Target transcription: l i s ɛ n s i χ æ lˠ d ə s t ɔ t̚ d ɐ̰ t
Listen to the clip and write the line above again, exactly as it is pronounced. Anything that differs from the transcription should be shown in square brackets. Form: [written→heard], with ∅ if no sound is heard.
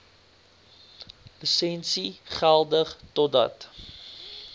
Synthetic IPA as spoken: l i s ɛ n s i χ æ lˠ d ə [s→χ] t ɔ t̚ d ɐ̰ t